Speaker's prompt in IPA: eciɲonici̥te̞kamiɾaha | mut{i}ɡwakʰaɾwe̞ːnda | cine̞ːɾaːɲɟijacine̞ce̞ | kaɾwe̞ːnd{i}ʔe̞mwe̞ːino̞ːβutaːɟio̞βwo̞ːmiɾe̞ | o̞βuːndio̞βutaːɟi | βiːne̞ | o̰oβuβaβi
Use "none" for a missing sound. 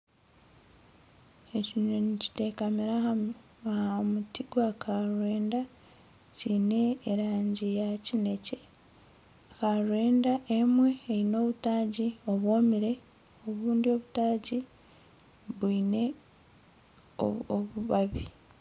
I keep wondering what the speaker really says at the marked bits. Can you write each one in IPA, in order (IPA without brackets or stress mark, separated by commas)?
i, a